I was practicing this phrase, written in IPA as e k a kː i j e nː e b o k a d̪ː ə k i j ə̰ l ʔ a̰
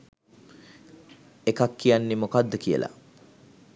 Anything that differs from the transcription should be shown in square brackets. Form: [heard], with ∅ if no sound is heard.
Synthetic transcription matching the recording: e k a kː i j [a] nː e [m] o k a d̪ː ə k i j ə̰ l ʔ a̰